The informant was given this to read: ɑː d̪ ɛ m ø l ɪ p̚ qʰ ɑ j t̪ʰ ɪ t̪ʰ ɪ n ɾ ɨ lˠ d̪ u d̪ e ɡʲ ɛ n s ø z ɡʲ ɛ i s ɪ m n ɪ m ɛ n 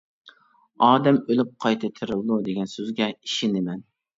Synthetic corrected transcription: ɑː d̪ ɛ m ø l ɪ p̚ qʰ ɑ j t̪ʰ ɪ t̪ʰ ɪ ɾ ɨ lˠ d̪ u d̪ e ɡʲ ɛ n s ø z ɡʲ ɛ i ʃ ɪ n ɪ m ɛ n

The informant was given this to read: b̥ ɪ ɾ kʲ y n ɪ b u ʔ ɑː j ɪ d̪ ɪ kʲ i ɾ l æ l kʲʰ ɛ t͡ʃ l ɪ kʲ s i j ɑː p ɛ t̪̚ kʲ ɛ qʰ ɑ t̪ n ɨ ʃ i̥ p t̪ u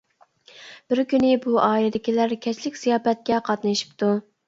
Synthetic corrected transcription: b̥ ɪ ɾ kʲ y n ɪ b u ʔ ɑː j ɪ d̪ ɪ kʲ i l æ ɾ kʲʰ ɛ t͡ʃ l ɪ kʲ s i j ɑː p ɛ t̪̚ kʲ ɛ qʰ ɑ t̪ n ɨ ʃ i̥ p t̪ u

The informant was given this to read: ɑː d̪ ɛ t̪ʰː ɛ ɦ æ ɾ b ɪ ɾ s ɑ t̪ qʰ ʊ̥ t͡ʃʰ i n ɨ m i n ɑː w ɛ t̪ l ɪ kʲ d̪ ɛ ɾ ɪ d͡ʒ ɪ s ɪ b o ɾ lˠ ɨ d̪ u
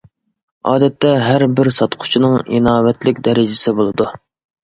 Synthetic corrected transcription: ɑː d̪ ɛ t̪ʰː ɛ ɦ æ ɾ b ɪ ɾ s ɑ t̪ qʰ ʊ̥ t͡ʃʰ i n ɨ ŋ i n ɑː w ɛ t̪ l ɪ kʲ d̪ ɛ ɾ ɪ d͡ʒ ɪ s ɪ b o lˠ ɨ d̪ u

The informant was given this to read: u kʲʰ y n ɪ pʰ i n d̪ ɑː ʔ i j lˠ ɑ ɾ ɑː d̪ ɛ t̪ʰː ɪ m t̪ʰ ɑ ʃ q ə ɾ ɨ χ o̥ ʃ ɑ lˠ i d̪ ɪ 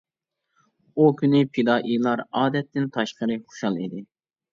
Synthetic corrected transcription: u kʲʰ y n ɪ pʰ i d̪ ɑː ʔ i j lˠ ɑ ɾ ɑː d̪ ɛ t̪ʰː ɪ n t̪ʰ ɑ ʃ q ə ɾ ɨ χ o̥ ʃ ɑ lˠ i d̪ ɪ

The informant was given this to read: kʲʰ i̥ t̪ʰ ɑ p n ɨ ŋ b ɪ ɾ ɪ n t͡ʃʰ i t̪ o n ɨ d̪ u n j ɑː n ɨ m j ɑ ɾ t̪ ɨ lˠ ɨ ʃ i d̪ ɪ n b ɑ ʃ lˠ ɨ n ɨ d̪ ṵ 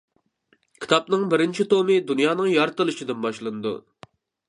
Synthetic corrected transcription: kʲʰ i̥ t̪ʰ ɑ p n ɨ ŋ b ɪ ɾ ɪ n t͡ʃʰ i t̪ o m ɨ d̪ u n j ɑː n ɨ ŋ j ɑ ɾ t̪ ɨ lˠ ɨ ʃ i d̪ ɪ n b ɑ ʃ lˠ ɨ n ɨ d̪ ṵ

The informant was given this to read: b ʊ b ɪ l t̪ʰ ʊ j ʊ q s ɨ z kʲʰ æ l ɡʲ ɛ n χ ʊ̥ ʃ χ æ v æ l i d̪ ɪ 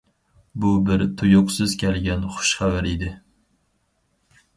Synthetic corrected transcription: b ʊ b ɪ ɾ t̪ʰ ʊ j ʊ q s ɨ z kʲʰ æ l ɡʲ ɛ n χ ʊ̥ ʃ χ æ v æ ɾ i d̪ ɪ

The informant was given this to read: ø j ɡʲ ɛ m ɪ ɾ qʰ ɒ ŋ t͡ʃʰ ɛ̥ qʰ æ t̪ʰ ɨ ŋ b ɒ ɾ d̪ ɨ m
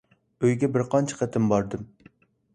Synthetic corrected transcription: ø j ɡʲ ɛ b ɪ ɾ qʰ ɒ n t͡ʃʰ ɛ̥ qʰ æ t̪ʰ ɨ m b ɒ ɾ d̪ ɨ m

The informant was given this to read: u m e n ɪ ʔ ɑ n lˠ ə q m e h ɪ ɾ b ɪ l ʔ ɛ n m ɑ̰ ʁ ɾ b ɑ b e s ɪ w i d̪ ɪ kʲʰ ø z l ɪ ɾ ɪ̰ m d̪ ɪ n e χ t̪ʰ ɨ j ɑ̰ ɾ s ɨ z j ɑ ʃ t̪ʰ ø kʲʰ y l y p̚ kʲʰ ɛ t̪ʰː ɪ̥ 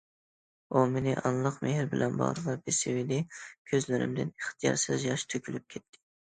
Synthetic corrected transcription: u m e n ɪ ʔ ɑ n lˠ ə q m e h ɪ ɾ b ɪ l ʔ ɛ n b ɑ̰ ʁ ɾ v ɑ b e s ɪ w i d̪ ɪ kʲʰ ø z l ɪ ɾ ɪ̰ m d̪ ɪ n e χ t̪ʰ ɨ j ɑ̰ ɾ s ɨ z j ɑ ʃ t̪ʰ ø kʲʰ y l y p̚ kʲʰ ɛ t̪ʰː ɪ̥

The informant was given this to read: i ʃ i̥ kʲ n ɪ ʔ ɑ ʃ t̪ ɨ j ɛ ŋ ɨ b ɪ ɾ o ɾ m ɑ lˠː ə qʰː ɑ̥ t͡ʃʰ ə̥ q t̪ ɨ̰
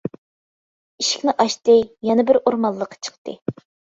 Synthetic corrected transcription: i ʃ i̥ kʲ n ɪ ʔ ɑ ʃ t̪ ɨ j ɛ n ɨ b ɪ ɾ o ɾ m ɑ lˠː ə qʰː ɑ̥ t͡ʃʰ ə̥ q t̪ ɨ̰

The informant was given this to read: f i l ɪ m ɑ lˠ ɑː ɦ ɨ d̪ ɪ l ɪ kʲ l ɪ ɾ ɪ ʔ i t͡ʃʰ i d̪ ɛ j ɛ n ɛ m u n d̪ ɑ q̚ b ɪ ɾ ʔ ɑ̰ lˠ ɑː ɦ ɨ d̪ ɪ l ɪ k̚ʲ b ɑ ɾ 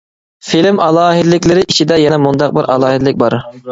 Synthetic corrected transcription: f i l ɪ m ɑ lˠ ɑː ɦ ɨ d̪ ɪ l ɪ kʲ l ɪ ɾ ɪ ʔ i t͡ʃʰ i d̪ ɛ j ɛ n ɛ m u n d̪ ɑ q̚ b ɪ ɾ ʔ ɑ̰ lˠ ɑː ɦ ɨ d̪ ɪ l ɪ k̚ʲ b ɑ ɾ

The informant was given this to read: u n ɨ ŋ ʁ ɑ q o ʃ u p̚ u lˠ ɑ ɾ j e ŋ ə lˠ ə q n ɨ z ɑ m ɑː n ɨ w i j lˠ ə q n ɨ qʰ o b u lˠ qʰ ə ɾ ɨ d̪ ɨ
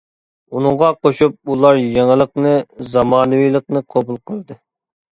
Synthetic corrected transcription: u n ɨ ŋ ʁ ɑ q o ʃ u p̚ u lˠ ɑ ɾ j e ŋ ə lˠ ə q n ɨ z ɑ m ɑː n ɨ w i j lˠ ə q n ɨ qʰ o b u lˠ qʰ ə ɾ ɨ d̪ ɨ

